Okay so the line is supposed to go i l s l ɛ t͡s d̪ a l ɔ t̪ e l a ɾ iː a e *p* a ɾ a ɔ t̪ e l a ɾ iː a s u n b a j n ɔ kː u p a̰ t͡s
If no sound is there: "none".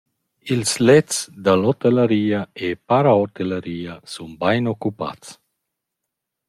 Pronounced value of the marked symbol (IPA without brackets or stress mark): p